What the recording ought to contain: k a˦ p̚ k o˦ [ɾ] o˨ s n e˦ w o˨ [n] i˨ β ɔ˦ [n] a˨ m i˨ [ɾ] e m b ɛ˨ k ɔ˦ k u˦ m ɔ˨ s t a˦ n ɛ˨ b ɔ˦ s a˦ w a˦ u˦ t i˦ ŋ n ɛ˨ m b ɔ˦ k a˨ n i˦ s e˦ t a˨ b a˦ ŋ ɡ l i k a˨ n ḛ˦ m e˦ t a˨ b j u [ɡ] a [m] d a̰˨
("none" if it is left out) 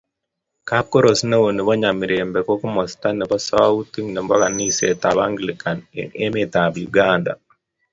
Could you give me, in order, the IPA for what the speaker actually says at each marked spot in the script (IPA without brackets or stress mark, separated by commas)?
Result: ɾ, n, ɲ, ɾ, ɡ, n